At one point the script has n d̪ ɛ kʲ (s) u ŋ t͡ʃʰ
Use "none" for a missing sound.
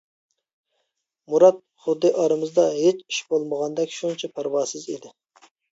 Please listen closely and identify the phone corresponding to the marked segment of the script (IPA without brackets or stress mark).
ʃ